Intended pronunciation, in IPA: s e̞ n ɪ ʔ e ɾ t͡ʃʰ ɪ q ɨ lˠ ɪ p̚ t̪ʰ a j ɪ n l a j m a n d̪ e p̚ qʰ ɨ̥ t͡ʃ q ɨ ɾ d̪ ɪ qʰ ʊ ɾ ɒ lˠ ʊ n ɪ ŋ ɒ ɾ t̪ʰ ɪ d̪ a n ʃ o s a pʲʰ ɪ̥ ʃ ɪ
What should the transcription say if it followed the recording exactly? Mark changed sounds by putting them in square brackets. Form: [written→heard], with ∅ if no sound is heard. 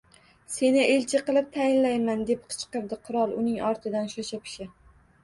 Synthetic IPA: s e̞ n ɪ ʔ e [ɾ→l] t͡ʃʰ ɪ q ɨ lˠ ɪ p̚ t̪ʰ a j ɪ n l a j m a n d̪ e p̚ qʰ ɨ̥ t͡ʃ q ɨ ɾ d̪ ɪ qʰ ʊ ɾ ɒ lˠ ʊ n ɪ ŋ ɒ ɾ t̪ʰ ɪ d̪ a n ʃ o [s→ʃ] a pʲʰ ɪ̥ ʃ ɪ